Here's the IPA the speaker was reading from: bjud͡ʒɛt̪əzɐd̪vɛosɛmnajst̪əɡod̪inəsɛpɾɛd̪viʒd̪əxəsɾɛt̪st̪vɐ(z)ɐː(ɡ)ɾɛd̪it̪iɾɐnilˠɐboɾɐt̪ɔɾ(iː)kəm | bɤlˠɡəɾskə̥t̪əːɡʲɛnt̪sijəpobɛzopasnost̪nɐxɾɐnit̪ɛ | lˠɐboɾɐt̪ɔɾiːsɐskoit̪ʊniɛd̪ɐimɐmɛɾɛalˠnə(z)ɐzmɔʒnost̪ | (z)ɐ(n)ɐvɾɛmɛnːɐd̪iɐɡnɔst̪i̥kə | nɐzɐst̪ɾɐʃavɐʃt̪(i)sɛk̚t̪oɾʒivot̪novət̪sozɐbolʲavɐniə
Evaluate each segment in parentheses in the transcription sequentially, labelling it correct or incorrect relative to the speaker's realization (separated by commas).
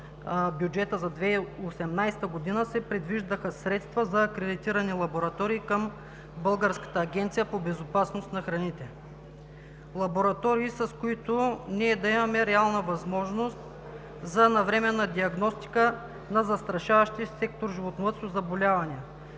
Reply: correct, incorrect, correct, incorrect, correct, correct, correct